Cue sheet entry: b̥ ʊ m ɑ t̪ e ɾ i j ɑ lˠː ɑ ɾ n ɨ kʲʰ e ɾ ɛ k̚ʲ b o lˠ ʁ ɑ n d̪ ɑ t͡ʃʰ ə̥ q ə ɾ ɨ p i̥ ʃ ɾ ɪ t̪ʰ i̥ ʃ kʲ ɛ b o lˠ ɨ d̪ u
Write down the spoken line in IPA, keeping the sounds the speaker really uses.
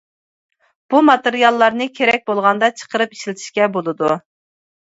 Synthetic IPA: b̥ u m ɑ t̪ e ɾ i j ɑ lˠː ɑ ɾ n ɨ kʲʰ e ɾ ɛ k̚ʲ b o lˠ ʁ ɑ n d̪ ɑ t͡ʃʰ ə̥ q ə ɾ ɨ p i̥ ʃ l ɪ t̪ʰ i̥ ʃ kʲ ɛ b o lˠ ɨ d̪ u